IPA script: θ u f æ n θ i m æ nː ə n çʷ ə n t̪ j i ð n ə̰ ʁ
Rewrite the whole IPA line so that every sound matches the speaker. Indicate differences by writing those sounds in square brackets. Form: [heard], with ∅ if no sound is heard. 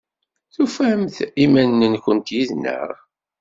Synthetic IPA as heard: θ u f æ [m] θ i m æ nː ə n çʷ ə n t̪ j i ð n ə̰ ʁ